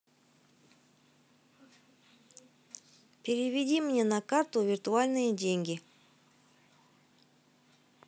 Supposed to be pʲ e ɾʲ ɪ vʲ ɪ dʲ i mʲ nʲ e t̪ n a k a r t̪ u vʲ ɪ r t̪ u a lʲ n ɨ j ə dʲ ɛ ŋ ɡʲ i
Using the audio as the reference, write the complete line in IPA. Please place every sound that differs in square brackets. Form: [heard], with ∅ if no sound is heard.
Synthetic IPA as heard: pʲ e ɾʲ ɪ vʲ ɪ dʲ i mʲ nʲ e [∅] n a k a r t̪ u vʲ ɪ r t̪ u a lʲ n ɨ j ə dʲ [e] ŋ ɡʲ i